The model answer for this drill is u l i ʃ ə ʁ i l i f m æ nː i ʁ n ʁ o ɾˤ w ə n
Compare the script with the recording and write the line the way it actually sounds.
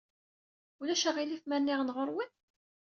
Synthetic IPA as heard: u l æ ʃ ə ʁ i l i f m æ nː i ʁ n ʁ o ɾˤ w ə n